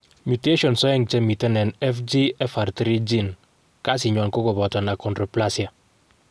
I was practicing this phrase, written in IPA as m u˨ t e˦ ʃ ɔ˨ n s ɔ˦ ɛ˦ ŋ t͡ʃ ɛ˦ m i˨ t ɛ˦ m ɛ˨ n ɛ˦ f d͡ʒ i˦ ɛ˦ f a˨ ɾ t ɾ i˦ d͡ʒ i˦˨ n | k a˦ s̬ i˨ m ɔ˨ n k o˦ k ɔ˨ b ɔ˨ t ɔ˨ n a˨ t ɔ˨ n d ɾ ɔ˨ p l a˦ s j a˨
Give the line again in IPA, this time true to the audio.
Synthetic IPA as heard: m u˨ t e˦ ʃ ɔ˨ n s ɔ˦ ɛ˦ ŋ t͡ʃ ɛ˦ m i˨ t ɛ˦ n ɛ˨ n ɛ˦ f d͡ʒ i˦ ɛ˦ f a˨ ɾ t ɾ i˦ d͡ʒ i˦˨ n | k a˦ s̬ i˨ ɲ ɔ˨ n k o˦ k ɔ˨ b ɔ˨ t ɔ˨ n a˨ k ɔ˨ n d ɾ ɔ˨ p l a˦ s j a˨